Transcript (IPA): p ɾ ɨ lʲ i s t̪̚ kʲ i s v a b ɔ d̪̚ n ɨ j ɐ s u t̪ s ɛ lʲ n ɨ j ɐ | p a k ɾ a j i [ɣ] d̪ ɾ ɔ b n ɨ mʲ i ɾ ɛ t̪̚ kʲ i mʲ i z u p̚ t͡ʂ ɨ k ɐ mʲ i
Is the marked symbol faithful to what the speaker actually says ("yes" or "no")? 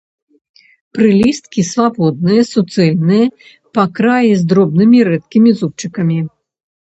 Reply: no